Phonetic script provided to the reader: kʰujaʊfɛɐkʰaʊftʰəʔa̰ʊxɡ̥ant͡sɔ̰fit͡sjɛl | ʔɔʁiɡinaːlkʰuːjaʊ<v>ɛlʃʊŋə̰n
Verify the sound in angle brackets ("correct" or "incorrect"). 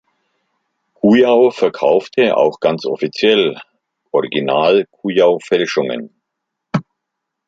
incorrect